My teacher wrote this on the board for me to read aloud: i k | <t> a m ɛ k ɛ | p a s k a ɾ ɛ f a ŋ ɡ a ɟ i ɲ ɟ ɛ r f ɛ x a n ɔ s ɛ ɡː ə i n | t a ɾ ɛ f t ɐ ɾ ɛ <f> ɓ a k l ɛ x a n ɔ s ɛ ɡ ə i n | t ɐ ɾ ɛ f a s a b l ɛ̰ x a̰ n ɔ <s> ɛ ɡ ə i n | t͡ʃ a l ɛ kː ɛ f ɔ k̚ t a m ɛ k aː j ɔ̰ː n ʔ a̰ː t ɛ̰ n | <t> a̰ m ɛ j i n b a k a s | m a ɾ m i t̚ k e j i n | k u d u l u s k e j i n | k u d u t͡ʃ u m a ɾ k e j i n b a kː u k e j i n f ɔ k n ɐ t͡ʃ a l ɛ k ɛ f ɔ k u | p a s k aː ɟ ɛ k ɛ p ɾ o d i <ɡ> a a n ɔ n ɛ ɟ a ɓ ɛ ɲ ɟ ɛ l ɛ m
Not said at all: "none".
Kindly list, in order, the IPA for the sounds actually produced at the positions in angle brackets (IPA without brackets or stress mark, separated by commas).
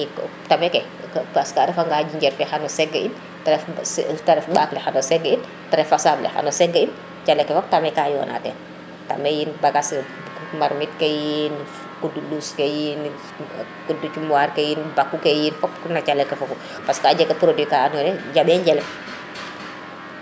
t, f, s, t, k